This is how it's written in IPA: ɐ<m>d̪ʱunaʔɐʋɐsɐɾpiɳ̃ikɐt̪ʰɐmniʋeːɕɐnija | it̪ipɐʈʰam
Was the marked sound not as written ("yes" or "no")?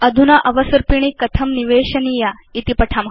yes